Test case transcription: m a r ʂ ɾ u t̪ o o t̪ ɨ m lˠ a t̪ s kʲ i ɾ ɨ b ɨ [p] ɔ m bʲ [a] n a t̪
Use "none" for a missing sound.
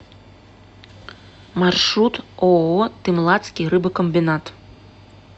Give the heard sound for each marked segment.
k, i

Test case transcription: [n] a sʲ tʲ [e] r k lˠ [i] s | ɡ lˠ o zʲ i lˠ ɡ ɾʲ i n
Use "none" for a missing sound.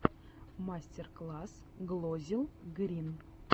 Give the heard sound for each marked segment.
m, e, a

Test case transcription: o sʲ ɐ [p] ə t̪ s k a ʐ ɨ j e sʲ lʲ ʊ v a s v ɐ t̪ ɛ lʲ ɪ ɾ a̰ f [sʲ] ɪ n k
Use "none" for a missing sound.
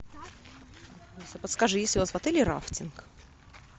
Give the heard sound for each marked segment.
p, tʲ

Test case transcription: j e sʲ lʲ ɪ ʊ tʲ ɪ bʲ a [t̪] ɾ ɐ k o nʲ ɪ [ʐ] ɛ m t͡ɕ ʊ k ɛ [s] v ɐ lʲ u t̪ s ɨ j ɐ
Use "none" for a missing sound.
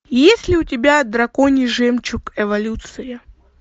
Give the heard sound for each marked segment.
d̪, ʐ, none

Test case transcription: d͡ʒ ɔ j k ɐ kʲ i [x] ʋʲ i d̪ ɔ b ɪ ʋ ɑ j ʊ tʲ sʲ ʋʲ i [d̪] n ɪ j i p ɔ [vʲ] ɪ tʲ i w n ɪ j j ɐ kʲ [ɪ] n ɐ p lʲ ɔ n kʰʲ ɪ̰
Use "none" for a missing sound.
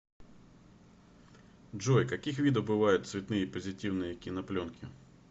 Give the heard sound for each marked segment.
x, t̪, zʲ, i

